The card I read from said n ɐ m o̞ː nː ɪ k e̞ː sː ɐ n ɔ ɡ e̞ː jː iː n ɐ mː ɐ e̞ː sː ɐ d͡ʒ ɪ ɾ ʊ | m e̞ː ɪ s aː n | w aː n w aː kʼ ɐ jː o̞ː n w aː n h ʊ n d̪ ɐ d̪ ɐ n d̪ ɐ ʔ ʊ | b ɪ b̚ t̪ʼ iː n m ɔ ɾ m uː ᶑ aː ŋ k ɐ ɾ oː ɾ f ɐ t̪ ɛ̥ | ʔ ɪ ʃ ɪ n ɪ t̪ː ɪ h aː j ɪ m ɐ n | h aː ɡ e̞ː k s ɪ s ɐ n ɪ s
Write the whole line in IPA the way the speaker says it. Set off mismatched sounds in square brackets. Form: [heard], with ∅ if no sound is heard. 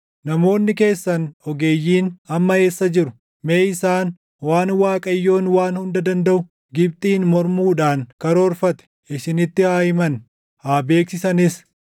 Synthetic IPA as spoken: n ɐ m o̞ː nː ɪ k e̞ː sː ɐ n ɔ ɡ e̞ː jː iː n ɐ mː ɐ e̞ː sː ɐ d͡ʒ ɪ ɾ ʊ | m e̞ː ɪ s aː n | w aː n w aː kʼ ɐ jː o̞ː n w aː n h ʊ n d̪ ɐ d̪ ɐ n d̪ ɐ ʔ ʊ | [ɡ] ɪ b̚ t̪ʼ iː n m ɔ ɾ m uː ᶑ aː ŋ k ɐ ɾ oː ɾ f ɐ t̪ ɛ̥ | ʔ ɪ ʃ ɪ n ɪ t̪ː ɪ h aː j ɪ m ɐ n | h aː [b] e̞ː k s ɪ s ɐ n ɪ s